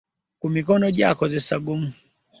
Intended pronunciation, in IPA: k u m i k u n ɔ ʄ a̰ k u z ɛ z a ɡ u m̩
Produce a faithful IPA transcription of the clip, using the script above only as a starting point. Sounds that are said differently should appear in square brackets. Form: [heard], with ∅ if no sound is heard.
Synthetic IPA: k u m i k [ɔ] n ɔ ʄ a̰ k [ɔ] z ɛ [s] a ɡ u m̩